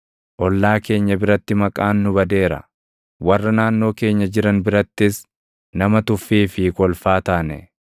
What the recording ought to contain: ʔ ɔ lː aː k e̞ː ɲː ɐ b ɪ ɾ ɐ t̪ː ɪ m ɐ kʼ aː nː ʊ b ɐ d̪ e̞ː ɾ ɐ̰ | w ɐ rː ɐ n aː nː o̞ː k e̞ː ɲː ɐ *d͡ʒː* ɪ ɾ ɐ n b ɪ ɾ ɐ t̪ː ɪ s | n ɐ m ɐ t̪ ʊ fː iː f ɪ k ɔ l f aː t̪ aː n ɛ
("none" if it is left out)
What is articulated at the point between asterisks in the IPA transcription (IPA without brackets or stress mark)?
d͡ʒ